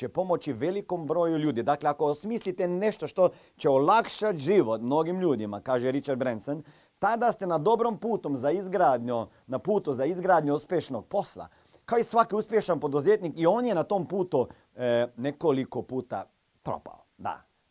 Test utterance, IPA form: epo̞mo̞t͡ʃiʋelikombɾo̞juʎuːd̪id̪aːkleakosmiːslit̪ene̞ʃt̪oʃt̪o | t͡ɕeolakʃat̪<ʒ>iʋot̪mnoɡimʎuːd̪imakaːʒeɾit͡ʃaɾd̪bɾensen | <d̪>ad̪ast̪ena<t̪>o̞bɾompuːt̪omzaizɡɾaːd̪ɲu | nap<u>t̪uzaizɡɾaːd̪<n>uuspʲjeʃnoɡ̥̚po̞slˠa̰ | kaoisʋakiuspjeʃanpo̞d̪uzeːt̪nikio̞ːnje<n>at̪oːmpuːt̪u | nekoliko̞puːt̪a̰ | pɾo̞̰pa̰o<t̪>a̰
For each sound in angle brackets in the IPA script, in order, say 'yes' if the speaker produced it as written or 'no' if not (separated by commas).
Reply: yes, no, no, no, no, yes, no